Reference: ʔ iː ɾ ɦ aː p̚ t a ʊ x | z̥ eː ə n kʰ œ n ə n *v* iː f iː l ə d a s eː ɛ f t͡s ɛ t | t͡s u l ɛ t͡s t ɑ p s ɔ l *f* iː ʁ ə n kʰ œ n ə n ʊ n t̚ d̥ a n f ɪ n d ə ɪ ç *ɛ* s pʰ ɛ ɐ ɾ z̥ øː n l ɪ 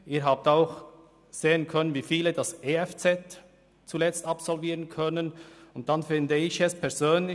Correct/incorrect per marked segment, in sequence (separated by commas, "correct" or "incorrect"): correct, incorrect, correct